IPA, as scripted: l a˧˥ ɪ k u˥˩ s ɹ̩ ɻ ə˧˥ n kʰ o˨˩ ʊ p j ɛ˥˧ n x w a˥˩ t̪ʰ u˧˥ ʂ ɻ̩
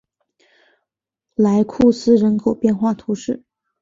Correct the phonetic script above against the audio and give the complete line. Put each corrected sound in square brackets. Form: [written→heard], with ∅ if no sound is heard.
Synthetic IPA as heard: l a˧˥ ɪ [k→kʰ] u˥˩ s ɹ̩ ɻ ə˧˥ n kʰ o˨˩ ʊ p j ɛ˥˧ n x w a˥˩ t̪ʰ u˧˥ ʂ ɻ̩